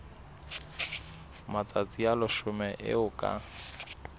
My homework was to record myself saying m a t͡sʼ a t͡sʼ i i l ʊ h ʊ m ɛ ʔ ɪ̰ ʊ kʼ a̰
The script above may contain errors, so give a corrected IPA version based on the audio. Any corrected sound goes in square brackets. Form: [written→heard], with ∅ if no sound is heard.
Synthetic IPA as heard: m a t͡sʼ a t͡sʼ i [i→a] l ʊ [h→ʃ] ʊ m ɛ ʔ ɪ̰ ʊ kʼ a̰